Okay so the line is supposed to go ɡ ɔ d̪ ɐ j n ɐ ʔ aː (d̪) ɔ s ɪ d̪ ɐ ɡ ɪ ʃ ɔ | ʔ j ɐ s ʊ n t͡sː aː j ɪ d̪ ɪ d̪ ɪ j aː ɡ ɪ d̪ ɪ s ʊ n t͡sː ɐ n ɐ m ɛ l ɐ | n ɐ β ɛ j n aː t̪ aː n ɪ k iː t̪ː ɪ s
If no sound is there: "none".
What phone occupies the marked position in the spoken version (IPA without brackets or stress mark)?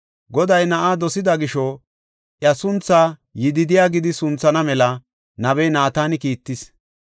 d̪